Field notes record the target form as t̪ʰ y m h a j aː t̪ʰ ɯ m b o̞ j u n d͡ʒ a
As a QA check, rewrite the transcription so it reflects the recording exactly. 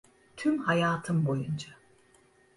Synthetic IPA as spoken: t̪ʰ y m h a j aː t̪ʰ ɯ m b o̞ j u n d͡ʒ a